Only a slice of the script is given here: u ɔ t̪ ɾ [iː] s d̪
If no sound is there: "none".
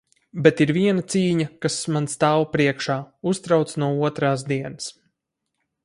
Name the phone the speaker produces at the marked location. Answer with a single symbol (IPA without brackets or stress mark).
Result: aː